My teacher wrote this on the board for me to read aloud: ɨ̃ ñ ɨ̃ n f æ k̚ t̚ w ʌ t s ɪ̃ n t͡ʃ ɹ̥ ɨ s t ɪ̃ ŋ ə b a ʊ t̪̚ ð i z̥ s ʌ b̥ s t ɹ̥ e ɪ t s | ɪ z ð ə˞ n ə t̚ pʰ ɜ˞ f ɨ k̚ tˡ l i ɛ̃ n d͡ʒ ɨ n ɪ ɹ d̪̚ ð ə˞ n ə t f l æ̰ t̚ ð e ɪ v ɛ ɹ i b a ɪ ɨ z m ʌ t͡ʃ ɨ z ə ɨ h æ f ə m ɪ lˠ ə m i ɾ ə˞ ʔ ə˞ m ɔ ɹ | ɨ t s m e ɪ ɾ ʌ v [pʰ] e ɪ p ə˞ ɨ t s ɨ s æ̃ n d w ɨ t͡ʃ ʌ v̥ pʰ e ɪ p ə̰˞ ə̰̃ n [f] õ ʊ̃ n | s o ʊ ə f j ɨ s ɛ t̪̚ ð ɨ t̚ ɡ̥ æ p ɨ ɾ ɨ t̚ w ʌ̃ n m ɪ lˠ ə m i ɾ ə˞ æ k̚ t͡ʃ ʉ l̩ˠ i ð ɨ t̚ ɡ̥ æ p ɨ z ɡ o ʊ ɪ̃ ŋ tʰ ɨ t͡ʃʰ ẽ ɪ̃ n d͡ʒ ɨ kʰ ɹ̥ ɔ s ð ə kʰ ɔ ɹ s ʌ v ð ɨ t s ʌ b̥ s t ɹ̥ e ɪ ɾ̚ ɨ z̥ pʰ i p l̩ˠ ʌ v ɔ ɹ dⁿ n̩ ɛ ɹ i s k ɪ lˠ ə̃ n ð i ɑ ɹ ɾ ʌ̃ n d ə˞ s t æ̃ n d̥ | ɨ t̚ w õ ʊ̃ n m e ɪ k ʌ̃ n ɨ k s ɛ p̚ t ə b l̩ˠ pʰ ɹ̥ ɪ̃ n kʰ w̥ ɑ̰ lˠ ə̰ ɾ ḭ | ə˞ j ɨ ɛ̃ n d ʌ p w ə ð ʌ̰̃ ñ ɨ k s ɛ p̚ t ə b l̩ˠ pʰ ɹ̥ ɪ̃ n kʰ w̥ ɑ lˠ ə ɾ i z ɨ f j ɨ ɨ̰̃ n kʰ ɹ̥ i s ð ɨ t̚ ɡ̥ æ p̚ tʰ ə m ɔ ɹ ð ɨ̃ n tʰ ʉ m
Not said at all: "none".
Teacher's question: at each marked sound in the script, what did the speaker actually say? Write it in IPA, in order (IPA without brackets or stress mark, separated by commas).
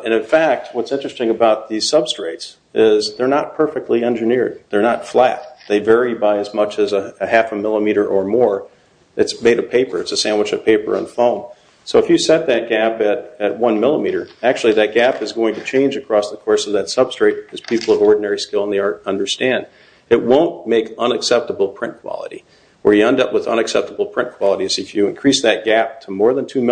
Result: pʰ, f